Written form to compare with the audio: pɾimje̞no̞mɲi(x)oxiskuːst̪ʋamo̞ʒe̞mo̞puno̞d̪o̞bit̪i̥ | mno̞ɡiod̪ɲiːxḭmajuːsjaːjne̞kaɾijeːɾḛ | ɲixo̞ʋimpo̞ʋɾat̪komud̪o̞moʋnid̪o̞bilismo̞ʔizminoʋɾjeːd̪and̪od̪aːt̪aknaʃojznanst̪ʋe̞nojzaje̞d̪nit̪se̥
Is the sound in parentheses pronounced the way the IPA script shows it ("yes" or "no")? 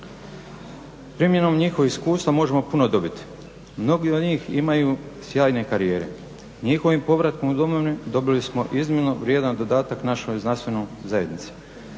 yes